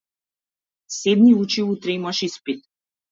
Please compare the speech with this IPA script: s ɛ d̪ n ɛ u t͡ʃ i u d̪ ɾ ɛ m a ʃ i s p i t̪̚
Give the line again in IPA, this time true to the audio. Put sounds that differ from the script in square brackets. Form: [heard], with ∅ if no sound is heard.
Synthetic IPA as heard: s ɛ d̪ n [i] u t͡ʃ i u [t̪] ɾ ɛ m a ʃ i s p i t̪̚